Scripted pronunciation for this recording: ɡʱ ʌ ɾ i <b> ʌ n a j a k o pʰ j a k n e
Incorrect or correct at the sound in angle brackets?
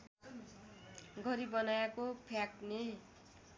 correct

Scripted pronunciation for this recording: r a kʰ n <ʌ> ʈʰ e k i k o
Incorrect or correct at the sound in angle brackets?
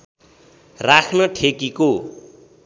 correct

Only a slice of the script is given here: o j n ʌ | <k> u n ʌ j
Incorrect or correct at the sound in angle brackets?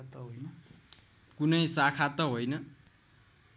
correct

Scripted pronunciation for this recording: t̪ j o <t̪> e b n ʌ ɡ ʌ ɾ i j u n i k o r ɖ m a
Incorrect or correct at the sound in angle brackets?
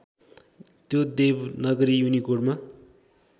incorrect: d̪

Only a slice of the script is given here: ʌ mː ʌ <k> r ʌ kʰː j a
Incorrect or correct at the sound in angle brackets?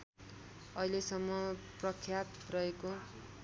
incorrect: p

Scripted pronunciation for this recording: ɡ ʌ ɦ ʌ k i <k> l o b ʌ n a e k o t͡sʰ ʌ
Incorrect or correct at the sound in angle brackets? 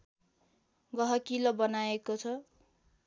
incorrect: none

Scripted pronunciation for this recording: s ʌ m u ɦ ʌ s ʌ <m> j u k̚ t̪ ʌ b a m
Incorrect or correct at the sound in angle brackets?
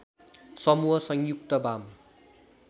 incorrect: ŋ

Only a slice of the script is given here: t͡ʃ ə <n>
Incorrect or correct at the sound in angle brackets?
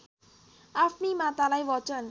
correct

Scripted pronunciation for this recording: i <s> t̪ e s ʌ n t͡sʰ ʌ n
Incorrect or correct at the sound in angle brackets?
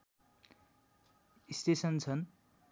correct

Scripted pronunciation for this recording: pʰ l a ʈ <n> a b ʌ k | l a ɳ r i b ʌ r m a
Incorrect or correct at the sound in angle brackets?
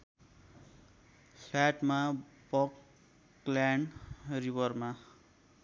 incorrect: m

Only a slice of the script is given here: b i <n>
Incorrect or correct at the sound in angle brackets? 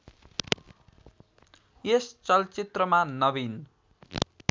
correct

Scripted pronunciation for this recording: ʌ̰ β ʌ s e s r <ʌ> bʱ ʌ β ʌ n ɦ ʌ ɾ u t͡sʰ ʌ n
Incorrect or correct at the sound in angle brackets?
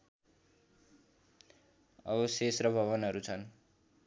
correct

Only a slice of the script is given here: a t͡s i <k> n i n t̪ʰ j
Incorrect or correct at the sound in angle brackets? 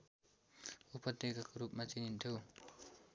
incorrect: none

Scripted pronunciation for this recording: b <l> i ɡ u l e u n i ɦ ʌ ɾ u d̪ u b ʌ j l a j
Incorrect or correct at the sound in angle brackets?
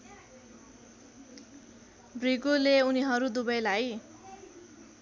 incorrect: r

